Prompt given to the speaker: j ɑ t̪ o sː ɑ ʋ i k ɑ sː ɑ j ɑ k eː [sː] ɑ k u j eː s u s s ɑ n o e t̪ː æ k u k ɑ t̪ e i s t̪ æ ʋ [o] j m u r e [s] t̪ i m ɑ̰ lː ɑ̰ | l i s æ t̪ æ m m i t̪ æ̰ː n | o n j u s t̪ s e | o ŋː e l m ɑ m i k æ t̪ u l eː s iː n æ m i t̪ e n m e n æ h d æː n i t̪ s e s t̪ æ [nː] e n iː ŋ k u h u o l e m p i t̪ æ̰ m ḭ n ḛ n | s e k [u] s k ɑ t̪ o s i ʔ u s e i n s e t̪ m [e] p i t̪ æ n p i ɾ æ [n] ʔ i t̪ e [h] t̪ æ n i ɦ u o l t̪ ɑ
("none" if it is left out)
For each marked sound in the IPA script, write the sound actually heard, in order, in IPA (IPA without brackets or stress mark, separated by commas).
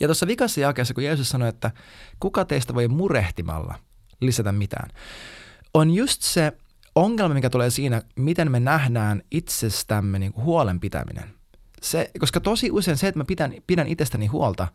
sː, o, h, mː, o, æ, n, s